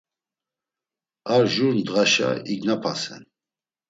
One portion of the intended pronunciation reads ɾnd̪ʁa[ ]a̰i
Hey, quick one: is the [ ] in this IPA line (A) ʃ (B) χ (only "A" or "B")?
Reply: A